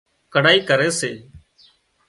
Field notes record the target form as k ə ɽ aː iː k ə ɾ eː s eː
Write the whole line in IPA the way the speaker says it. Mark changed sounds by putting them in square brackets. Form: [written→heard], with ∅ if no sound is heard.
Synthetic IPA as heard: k ə ɽ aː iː k ə ɾ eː s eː